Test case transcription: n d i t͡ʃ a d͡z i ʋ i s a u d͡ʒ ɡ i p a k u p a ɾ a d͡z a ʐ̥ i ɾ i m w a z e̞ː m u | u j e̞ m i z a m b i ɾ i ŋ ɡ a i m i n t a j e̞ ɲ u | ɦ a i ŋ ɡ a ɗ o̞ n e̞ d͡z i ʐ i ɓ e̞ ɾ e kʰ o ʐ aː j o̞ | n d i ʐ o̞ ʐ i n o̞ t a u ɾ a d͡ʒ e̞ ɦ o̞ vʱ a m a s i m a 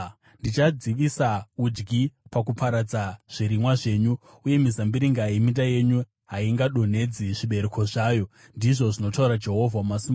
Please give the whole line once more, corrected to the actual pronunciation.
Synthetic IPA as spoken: n d i t͡ʃ a d͡z i ʋ i s a u d͡ʒ ɡ i p a k u p a ɾ a d͡z a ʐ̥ i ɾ i m w a ʐ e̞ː ɲ u | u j e̞ m i z a m b i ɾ i ŋ ɡ a i m i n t a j e̞ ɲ u | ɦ a i ŋ ɡ a ɗ o̞ n e̞ d͡z i ʐ i ɓ e̞ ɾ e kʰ o ʐ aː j o̞ | n d i ʐ o̞ ʐ i n o̞ t a u ɾ a d͡ʒ e̞ ɦ o̞ vʱ a m a s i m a